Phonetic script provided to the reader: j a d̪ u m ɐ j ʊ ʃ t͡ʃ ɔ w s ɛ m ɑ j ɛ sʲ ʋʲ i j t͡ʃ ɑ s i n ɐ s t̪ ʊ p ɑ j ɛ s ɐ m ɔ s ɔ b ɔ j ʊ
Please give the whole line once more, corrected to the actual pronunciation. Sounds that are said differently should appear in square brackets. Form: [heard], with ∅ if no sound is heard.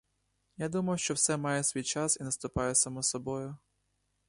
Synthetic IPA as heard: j a d̪ u m ɐ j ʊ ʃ t͡ʃ ɔ w s ɛ m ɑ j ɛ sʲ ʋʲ i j t͡ʃ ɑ s i n ɐ s t̪ ʊ p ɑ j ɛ s ɐ m ɔ s ɔ b ɔ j ʊ